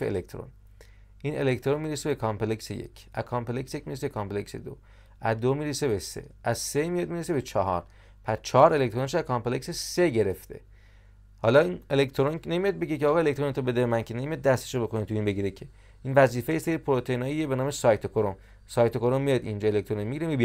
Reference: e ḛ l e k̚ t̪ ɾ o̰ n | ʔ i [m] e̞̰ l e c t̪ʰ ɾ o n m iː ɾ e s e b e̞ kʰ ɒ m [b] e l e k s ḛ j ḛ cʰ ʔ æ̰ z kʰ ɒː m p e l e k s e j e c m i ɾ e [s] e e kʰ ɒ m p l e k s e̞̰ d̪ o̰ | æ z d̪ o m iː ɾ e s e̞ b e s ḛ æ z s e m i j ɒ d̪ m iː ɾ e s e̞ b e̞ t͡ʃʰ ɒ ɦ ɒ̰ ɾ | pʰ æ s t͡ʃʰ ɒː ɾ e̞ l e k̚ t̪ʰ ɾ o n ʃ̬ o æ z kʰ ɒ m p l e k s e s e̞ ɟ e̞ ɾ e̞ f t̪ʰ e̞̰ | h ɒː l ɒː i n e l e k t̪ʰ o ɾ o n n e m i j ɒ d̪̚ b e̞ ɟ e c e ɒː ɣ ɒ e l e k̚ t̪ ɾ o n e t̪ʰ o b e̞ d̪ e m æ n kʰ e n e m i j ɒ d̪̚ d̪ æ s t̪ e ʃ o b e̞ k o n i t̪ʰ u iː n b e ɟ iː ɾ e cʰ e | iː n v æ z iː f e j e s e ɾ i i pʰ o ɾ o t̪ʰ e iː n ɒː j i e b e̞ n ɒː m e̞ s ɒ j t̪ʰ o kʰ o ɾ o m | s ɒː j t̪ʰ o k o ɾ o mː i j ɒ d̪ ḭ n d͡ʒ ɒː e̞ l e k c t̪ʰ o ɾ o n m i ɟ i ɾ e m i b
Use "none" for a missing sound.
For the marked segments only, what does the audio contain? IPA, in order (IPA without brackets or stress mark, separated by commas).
n, p, s